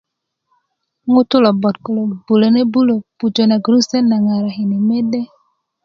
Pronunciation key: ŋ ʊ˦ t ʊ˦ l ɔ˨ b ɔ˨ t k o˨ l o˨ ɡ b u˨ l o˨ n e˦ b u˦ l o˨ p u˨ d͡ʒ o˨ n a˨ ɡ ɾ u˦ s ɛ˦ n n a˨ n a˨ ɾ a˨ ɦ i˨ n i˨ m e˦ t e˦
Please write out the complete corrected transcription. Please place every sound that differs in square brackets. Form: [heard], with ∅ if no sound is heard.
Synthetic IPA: ŋ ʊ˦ t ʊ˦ l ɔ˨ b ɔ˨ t k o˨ l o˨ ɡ b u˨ l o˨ n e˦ b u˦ l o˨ p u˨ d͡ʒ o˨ n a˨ ɡ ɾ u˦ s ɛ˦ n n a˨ [ŋ] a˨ ɾ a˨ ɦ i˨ n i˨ m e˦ [d] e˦